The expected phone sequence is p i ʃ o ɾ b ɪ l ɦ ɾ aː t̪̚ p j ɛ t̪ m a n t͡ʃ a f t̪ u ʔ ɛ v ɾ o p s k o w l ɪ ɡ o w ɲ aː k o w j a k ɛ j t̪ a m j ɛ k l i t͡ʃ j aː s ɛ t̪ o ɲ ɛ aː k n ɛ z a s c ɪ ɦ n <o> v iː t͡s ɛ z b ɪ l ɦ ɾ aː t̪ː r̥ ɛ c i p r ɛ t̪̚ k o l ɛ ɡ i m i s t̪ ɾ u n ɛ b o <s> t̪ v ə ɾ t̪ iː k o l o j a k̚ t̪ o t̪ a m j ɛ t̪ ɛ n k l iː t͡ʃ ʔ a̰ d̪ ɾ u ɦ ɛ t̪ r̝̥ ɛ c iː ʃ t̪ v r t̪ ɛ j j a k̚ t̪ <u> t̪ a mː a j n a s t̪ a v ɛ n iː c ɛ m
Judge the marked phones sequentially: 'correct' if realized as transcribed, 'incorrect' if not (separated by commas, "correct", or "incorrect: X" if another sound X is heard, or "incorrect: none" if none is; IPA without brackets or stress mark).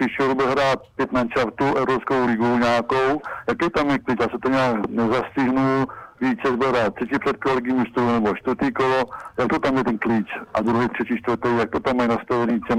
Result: incorrect: u, incorrect: ʃ, incorrect: o